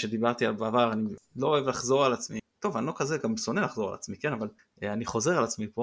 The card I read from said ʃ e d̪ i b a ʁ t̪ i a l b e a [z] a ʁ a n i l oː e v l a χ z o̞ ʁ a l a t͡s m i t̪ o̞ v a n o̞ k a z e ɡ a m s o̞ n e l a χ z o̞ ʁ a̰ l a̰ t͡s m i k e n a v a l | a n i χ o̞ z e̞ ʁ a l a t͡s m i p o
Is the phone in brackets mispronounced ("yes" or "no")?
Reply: yes